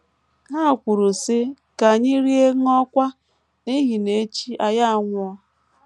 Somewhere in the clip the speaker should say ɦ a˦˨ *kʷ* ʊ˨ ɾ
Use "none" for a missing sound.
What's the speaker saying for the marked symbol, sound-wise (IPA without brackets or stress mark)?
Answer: kʷ